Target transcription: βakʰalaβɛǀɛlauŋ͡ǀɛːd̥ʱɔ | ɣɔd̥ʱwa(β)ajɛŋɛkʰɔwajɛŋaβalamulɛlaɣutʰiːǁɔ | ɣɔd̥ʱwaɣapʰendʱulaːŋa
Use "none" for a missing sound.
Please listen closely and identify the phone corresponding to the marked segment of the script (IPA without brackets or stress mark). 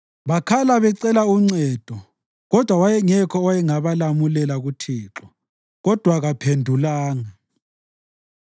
w